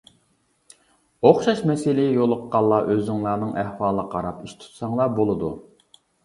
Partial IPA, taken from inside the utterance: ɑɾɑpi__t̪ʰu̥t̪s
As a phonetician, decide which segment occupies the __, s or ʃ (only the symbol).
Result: ʃ